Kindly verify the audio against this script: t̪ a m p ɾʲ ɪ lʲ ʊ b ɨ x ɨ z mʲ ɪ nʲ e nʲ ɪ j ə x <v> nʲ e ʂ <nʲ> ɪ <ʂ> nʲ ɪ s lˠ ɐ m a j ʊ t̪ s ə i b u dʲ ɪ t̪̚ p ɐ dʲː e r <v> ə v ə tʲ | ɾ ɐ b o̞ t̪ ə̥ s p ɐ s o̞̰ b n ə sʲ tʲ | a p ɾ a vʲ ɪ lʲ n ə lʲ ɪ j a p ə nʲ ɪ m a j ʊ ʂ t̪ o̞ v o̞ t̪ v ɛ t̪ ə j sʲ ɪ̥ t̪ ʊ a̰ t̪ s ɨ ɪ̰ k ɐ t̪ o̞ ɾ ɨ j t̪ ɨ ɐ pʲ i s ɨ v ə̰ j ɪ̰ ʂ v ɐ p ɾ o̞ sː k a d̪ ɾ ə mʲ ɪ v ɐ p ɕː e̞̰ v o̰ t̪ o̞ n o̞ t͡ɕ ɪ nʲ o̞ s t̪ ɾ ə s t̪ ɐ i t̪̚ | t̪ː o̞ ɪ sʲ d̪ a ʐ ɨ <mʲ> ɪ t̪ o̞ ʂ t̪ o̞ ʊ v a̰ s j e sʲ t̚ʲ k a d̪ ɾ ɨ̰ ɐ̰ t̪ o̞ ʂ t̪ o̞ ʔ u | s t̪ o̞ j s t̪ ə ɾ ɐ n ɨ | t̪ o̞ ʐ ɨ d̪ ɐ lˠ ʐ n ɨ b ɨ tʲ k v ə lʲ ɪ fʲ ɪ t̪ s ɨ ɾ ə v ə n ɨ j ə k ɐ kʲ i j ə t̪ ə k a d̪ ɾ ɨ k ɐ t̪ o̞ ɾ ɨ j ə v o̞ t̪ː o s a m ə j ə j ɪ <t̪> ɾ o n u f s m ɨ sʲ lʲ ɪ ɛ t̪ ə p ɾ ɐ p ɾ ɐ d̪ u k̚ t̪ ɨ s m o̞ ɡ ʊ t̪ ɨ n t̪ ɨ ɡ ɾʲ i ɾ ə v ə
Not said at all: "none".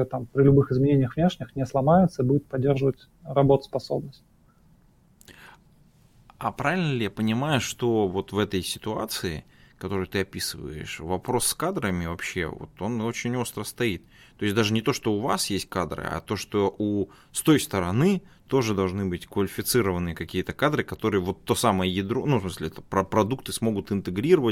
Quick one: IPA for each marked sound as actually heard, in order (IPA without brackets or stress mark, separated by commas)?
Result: v, nʲ, x, ʐ, nʲ, d̪